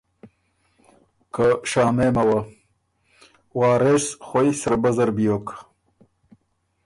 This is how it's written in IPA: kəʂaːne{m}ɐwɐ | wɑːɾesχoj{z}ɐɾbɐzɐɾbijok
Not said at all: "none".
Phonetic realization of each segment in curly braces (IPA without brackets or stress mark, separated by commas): m, s